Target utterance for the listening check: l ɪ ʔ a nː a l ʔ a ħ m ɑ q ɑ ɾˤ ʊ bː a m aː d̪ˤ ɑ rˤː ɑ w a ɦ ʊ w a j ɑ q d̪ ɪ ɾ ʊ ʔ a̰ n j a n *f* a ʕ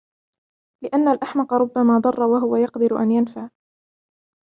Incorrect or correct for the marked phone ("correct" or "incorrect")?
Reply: correct